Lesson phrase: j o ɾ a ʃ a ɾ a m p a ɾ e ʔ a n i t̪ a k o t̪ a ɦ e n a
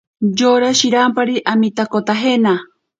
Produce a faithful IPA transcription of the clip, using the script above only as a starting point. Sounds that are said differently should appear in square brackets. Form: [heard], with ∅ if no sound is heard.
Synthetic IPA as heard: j o ɾ a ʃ [i] ɾ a m p a ɾ [i] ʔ a [m] i t̪ a k o t̪ a ɦ e n a